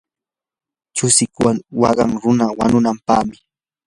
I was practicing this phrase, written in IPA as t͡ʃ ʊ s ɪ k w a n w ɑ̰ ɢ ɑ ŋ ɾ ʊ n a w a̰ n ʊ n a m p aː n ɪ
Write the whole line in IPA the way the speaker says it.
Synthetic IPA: t͡ʃ ʊ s ɪ k w a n w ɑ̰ ɢ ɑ ŋ ɾ ʊ n a w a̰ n ʊ n a m p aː m ɪ